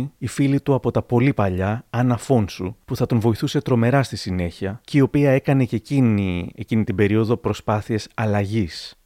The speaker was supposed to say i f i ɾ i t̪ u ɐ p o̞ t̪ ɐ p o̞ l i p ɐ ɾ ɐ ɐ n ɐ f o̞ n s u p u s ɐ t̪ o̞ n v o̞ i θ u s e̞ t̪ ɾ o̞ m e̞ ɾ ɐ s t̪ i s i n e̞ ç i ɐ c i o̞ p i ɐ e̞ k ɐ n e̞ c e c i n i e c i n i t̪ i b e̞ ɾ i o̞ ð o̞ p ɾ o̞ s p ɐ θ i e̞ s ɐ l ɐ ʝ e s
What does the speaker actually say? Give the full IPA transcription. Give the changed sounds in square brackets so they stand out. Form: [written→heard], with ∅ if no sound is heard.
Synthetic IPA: i f i [ɾ→l] i t̪ u ɐ p o̞ t̪ ɐ p o̞ l i p ɐ [ɾ→ʎ] ɐ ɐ n ɐ f o̞ n s u p u [s→θ] ɐ t̪ o̞ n v o̞ i θ u s e̞ t̪ ɾ o̞ m e̞ ɾ ɐ s t̪ i s i n e̞ ç i ɐ c i o̞ p i ɐ e̞ k ɐ n e̞ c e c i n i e c i n i t̪ i b e̞ ɾ i o̞ ð o̞ p ɾ o̞ s p ɐ θ i e̞ s ɐ l ɐ ʝ [e→i] s